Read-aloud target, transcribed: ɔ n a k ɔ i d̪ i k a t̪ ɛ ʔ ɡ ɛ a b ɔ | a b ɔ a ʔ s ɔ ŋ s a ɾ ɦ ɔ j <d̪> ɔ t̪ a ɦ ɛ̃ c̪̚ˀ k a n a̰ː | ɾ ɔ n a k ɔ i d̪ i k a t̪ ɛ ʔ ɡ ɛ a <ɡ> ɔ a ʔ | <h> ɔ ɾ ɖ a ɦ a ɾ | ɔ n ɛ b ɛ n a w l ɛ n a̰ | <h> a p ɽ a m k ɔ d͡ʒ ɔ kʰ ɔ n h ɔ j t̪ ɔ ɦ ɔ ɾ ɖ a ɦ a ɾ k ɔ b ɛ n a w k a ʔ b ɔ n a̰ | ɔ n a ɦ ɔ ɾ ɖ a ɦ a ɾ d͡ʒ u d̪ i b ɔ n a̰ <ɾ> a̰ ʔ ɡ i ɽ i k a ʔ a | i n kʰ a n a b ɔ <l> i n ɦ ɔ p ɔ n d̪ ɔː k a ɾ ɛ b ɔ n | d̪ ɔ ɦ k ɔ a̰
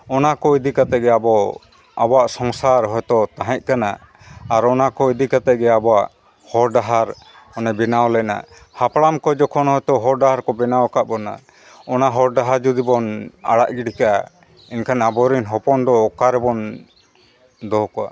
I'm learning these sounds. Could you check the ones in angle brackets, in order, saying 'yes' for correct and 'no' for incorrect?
no, no, yes, yes, no, no

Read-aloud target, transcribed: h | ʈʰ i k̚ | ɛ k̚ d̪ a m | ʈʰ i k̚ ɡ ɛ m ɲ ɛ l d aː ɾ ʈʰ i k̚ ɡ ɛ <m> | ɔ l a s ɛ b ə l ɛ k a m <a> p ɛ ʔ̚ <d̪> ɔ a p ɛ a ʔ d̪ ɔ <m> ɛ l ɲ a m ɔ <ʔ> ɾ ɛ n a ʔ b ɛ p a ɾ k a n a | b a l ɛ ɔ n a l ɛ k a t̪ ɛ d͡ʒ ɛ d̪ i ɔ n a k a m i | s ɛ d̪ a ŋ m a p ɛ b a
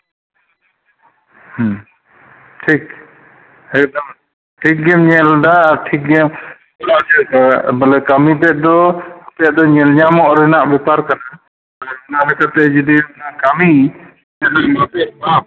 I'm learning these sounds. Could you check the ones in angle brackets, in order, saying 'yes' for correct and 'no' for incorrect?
yes, no, yes, no, yes

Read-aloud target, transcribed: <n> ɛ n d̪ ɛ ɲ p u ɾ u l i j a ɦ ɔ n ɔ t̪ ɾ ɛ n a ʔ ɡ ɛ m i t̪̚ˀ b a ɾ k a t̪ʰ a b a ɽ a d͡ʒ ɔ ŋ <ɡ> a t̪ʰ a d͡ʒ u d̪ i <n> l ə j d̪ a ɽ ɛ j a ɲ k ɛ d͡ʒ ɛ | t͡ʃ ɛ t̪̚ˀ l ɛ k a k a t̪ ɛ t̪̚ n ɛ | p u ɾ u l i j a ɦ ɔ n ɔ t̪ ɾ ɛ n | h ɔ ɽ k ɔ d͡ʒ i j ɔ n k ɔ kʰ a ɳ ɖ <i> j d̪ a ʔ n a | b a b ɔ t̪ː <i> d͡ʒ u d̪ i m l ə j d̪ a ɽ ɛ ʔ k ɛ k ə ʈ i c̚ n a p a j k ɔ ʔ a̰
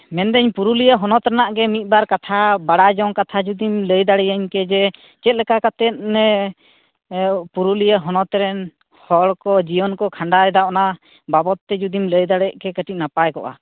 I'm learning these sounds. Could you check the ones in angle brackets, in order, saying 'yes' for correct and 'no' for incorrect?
no, no, no, no, no

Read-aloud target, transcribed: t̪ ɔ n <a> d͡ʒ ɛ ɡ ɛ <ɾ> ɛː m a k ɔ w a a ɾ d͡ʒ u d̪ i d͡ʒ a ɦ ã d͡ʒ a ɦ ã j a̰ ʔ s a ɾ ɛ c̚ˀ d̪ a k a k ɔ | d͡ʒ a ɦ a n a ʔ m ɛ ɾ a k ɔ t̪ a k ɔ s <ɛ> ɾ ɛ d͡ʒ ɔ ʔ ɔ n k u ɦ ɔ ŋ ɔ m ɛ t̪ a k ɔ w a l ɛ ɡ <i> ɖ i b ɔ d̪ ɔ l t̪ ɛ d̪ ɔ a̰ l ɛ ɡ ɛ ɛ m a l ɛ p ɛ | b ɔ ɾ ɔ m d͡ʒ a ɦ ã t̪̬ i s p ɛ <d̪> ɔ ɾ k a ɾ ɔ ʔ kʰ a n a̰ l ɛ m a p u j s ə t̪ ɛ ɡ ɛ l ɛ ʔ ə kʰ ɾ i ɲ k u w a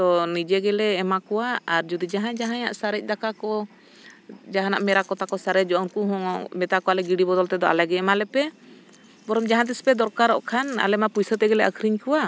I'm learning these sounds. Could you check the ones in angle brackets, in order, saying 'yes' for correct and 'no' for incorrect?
no, no, no, yes, yes

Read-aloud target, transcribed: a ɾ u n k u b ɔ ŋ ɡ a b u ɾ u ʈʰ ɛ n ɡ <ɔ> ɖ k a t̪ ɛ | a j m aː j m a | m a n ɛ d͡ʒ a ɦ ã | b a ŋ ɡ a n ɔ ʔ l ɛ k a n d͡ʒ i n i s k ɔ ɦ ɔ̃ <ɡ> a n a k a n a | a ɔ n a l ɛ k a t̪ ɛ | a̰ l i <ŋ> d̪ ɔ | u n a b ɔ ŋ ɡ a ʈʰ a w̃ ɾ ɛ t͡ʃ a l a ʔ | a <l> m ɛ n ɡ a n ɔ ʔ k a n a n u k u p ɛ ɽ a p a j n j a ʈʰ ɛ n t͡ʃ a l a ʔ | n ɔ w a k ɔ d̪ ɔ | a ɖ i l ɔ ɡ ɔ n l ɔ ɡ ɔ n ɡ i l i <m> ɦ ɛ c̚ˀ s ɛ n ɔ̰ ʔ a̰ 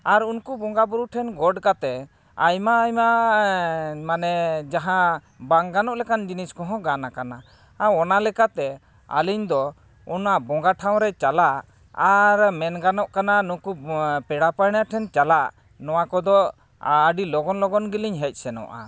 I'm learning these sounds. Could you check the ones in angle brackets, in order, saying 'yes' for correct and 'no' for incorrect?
yes, yes, no, no, no

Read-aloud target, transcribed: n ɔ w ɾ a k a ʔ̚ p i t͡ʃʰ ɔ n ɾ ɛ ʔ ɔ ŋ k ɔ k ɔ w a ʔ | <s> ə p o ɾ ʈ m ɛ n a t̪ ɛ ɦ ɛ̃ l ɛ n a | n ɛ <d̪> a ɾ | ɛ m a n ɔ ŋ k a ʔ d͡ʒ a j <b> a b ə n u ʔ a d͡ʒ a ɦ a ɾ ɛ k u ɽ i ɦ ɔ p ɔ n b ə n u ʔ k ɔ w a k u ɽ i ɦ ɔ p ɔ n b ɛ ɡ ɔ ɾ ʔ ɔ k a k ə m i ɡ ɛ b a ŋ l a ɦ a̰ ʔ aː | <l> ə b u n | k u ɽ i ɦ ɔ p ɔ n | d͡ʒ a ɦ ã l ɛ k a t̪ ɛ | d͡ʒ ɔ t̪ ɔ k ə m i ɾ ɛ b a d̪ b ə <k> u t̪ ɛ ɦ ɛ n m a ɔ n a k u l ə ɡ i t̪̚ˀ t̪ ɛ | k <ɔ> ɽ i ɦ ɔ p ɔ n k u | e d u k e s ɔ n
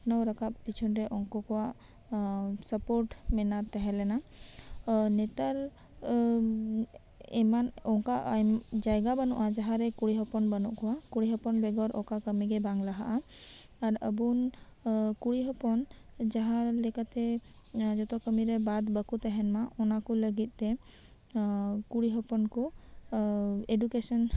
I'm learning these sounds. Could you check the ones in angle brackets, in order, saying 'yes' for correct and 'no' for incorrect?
yes, no, no, no, yes, no

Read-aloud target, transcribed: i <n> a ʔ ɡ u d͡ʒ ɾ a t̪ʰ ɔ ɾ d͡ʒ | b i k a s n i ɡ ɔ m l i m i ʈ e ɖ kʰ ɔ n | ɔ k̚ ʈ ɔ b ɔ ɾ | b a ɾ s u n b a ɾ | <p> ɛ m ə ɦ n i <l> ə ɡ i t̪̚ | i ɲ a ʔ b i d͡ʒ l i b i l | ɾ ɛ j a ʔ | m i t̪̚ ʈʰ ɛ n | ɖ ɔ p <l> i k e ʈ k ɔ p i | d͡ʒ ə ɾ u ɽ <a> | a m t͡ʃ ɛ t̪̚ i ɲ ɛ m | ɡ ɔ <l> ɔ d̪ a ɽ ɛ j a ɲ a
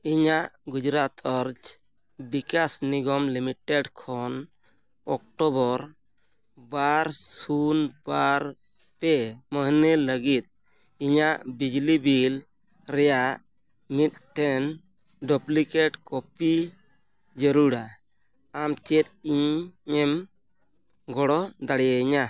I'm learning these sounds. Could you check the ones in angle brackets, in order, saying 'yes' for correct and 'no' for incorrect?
no, yes, yes, yes, yes, no

